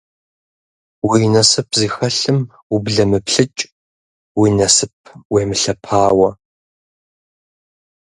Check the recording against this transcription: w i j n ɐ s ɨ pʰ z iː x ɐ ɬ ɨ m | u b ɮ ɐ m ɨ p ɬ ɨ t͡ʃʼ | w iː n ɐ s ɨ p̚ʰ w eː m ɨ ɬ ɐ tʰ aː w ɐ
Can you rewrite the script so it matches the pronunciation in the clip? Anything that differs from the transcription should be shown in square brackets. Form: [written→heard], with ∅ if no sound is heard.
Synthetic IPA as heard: w i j n ɐ s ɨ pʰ z iː x ɐ ɬ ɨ m | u b ɮ ɐ m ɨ p ɬ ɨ t͡ʃʼ | w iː n ɐ s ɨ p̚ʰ w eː m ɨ ɬ ɐ [tʰ→pʰ] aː w ɐ